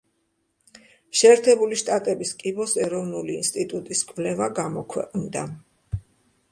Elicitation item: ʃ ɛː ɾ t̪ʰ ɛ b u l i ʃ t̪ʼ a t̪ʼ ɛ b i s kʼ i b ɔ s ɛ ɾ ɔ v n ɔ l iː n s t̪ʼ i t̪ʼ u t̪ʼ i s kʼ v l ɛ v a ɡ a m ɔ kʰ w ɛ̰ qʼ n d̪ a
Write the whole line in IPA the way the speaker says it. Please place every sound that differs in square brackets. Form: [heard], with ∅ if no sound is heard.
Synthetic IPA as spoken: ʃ ɛː ɾ t̪ʰ ɛ b u l i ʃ t̪ʼ a t̪ʼ ɛ b i s kʼ i b ɔ s ɛ ɾ ɔ v n [u] l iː n s t̪ʼ i t̪ʼ u t̪ʼ i s kʼ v l ɛ v a ɡ a m ɔ kʰ w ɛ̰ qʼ n d̪ a